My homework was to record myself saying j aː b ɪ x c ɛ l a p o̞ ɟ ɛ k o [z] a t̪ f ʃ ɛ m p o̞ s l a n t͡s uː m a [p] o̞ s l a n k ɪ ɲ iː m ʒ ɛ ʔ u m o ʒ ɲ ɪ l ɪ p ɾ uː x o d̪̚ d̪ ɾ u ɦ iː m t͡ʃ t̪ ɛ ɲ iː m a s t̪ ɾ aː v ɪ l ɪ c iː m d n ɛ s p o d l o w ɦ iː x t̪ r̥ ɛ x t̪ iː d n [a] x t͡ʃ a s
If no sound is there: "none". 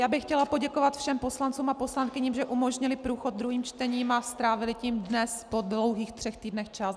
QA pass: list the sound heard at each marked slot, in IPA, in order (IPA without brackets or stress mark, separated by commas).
v, p, ɛ